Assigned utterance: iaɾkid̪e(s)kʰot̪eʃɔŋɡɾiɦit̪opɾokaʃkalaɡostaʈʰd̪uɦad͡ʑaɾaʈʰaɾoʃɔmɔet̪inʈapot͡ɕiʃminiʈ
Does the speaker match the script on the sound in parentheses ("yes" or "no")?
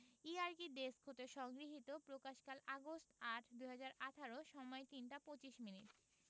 yes